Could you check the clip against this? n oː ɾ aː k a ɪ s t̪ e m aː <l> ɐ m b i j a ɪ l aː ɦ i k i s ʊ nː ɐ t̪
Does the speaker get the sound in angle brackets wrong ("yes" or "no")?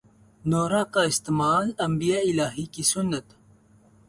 no